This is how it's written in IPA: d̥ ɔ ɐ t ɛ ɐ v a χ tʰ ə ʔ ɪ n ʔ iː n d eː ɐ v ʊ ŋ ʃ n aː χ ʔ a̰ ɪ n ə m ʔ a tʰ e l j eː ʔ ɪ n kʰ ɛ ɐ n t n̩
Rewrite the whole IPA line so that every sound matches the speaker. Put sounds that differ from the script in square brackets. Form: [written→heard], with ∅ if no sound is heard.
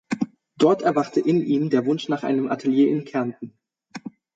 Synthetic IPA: d̥ ɔ ɐ t ɛ ɐ v a χ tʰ ə ʔ ɪ n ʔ iː [n→m] d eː ɐ v ʊ [ŋ→n] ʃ n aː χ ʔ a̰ ɪ n ə m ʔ a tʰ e l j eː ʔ ɪ n kʰ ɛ ɐ n t n̩

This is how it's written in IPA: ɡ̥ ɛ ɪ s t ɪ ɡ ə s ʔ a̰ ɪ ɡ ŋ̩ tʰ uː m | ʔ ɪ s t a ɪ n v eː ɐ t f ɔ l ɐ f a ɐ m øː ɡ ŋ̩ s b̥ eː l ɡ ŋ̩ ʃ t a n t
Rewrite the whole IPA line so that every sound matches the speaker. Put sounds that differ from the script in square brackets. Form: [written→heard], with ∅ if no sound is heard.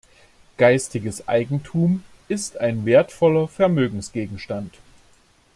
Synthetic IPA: ɡ̥ [ɛ→a] ɪ s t ɪ ɡ ə s ʔ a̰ ɪ ɡ ŋ̩ tʰ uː m | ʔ ɪ s t a ɪ n v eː ɐ t f ɔ l ɐ f [a→ɛ] ɐ m øː ɡ ŋ̩ s [b̥→ɡ̥] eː [l→∅] ɡ ŋ̩ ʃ t a n t

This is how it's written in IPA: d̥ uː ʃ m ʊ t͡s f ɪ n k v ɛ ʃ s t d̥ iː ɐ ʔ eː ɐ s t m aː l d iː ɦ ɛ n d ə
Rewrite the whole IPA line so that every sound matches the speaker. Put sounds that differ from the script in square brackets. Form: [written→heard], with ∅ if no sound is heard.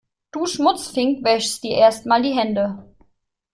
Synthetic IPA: d̥ uː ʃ m ʊ t͡s f ɪ [n→ŋ] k v ɛ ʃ s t d̥ iː ɐ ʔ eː ɐ s t m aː l d iː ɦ ɛ n d ə

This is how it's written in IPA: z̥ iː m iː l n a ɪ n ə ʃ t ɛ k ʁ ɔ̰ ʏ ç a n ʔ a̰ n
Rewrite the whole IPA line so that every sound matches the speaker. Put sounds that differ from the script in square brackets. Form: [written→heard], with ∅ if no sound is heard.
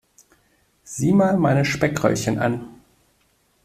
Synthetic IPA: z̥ iː m [iː→aː] l [n→m] a ɪ n ə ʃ [t→p] ɛ k ʁ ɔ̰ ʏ ç [a→ə] n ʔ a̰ n

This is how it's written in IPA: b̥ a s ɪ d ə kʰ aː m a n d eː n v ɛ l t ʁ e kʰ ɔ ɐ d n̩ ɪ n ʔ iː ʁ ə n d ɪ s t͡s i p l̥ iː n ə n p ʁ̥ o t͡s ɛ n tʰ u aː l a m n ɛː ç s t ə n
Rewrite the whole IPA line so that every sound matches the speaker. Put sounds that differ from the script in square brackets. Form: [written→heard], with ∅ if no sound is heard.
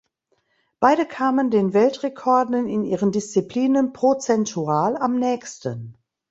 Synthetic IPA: b̥ a [s→∅] ɪ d ə kʰ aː m [a→ə] n d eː n v ɛ l t ʁ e kʰ ɔ ɐ d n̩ ɪ n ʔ iː ʁ ə n d ɪ s t͡s i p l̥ iː n ə n p ʁ̥ o t͡s ɛ n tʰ u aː l a m n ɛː ç s t ə n

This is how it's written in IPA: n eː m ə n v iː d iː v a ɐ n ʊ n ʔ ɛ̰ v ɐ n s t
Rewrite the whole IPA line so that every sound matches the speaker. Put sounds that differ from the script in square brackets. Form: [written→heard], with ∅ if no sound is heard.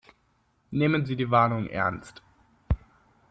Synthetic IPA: n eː m ə n [v→z] iː d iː v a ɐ n ʊ [n→ŋ] ʔ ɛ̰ [v→∅] ɐ n s t

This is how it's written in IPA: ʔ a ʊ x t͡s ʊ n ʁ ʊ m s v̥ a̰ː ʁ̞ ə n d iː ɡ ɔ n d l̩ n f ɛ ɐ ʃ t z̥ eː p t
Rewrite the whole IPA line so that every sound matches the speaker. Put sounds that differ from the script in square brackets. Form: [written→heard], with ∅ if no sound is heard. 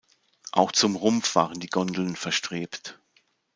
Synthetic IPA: ʔ a ʊ x t͡s ʊ [n→m] ʁ ʊ m [s→f] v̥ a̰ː ʁ̞ ə n d iː ɡ ɔ n d l̩ n f ɛ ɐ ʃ t [z̥→ʁ̥] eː p t

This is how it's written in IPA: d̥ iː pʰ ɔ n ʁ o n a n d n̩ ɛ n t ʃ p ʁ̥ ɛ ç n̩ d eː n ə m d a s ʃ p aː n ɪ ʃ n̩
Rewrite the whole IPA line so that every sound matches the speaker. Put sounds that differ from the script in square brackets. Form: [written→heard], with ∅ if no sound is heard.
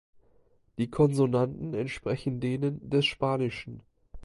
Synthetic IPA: d̥ iː [pʰ→kʰ] ɔ n [ʁ→z] o n a n [d→t] n̩ ɛ n t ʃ p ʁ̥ ɛ ç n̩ d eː n ə [m→n] d [a→ɛ] s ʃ p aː n ɪ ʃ n̩

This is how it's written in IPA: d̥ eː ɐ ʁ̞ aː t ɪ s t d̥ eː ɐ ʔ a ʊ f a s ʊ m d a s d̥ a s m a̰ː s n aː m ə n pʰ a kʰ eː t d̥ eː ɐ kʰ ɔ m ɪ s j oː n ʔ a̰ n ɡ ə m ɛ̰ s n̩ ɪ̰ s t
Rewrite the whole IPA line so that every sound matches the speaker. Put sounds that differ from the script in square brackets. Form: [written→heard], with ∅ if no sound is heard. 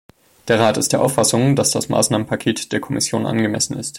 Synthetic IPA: d̥ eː ɐ ʁ̞ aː t ɪ s t d̥ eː ɐ ʔ a ʊ f a s ʊ [m→ŋ] d a s d̥ a s m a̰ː s n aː m ə n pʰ a kʰ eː t d̥ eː ɐ kʰ ɔ m ɪ s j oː n ʔ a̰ n ɡ ə m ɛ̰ s n̩ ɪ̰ s t

